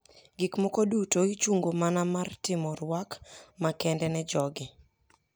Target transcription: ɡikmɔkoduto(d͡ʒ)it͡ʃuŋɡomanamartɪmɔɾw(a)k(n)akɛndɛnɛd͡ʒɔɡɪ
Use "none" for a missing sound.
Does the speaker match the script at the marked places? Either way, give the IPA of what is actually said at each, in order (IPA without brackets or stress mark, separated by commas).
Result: none, a, m